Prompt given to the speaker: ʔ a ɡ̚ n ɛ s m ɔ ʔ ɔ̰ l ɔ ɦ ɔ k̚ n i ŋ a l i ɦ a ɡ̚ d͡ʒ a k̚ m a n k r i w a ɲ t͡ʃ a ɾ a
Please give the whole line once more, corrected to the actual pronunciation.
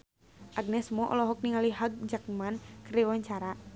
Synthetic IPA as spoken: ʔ a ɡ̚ n ɛ s m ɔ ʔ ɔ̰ l ɔ ɦ ɔ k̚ n i ŋ a l i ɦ a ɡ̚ d͡ʒ a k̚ m a n k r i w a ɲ t͡ʃ a ɾ a